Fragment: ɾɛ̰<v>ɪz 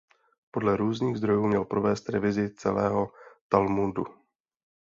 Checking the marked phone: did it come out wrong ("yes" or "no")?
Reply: no